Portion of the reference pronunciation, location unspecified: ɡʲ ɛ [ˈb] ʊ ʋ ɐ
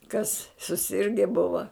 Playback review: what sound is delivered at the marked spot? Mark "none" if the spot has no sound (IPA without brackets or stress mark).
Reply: b